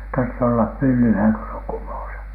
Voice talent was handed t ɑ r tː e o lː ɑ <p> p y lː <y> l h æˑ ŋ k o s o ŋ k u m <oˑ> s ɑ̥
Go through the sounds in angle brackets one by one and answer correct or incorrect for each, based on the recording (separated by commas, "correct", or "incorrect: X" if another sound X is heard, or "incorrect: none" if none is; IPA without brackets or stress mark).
correct, correct, correct